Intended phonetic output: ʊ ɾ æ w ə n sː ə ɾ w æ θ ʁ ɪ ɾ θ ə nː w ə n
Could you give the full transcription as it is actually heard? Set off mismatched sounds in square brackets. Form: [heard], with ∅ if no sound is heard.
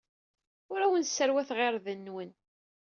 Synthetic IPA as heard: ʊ ɾ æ w ə n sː ə ɾ w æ θ ʁ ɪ ɾ [ð] ə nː w ə n